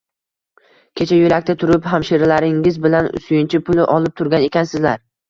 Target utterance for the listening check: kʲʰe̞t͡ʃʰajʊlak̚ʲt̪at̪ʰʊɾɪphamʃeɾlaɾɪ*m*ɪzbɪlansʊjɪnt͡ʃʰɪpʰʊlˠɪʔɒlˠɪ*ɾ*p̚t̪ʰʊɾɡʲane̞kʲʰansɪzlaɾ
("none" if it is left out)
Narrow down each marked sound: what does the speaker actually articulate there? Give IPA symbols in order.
ŋ, none

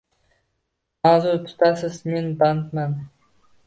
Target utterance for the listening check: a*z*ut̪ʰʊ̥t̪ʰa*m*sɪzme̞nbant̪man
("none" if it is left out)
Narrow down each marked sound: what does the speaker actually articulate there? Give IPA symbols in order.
z, none

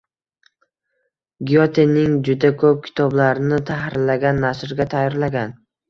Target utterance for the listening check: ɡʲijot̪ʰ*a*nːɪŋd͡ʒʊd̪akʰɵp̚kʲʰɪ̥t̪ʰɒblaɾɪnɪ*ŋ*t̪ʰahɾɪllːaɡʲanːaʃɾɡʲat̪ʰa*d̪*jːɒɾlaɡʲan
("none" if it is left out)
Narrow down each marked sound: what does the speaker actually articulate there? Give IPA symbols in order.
e, none, none

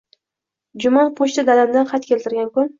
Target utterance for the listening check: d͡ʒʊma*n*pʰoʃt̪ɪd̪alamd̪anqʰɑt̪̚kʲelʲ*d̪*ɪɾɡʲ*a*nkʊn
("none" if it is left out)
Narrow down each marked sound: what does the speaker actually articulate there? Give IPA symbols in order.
n, t̪, a

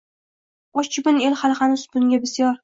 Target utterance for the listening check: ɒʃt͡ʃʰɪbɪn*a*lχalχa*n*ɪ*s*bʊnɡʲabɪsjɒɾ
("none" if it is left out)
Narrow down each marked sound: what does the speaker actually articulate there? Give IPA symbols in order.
e, n, s

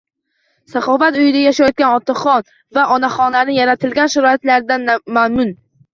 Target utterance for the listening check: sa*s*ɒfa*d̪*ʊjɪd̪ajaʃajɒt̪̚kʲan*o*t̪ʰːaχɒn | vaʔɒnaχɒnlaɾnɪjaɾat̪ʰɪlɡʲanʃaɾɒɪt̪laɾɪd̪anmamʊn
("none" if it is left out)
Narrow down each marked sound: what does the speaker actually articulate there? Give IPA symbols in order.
χ, t̪, ɒ

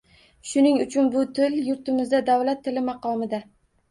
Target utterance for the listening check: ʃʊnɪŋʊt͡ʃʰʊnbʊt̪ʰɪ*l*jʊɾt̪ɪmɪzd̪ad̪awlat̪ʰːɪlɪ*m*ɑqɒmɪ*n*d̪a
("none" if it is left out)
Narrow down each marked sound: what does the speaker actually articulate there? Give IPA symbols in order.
l, m, none

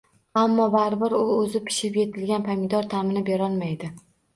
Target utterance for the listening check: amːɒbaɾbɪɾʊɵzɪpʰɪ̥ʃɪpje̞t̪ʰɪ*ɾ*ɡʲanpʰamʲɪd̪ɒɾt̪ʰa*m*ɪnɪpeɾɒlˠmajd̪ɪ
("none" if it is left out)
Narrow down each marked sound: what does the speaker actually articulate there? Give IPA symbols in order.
l, m

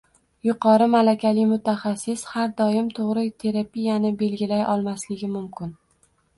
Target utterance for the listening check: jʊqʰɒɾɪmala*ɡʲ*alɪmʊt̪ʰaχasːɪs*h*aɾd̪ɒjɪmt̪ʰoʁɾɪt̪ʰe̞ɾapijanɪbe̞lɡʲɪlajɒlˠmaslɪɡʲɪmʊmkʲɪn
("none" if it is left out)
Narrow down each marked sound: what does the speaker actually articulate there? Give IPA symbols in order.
kʲ, h

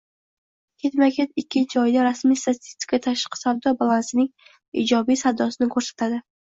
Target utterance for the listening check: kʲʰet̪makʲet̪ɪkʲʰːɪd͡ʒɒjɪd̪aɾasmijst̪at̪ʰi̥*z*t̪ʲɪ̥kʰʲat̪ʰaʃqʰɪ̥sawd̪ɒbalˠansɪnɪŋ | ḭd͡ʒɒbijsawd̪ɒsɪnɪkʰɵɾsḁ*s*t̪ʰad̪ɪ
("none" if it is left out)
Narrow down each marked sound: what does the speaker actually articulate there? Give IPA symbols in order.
s, none

